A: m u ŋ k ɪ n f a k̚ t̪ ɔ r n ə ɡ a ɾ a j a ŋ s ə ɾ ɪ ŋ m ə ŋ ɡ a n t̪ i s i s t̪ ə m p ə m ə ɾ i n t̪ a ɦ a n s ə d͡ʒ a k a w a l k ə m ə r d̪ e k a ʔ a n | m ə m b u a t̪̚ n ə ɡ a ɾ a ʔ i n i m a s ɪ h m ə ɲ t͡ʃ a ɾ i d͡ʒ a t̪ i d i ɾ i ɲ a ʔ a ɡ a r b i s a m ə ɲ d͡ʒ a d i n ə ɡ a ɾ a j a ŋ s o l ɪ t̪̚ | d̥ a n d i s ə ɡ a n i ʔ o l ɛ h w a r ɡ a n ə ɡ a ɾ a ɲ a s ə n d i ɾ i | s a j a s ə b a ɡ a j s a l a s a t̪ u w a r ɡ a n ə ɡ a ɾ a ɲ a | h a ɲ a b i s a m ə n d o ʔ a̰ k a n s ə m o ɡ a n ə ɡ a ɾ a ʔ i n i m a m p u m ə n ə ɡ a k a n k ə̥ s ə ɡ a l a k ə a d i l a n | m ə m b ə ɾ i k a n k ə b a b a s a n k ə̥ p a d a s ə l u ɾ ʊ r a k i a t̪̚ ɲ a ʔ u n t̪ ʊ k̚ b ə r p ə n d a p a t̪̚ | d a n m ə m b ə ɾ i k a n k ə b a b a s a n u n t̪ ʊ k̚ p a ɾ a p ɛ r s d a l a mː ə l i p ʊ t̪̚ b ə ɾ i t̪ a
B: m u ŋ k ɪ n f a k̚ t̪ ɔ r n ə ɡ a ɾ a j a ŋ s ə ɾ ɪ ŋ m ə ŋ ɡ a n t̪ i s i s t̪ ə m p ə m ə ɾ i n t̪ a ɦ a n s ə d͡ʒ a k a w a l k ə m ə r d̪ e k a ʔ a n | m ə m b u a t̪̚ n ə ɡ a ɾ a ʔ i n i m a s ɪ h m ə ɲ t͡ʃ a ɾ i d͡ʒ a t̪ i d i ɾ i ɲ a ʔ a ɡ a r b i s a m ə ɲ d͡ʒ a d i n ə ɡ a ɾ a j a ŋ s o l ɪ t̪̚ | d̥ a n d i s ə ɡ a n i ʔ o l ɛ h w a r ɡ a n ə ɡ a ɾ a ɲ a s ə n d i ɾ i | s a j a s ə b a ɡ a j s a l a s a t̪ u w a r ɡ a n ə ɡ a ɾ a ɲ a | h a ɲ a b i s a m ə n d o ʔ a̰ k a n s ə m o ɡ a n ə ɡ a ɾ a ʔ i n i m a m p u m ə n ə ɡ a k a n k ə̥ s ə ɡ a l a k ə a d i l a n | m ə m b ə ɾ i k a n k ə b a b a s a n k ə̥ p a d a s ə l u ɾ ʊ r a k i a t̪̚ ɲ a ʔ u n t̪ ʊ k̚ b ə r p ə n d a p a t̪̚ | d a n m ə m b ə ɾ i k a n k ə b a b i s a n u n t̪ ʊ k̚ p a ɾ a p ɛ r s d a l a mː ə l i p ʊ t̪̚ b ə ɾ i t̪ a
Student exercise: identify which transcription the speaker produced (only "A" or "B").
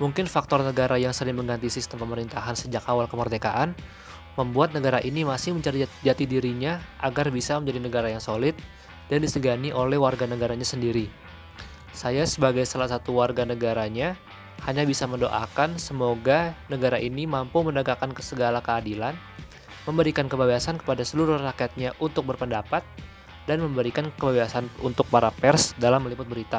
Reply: A